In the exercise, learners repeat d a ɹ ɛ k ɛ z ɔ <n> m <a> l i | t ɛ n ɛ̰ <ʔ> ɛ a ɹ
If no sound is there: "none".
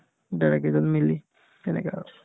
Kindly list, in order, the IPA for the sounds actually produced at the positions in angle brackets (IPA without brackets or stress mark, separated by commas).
n, i, k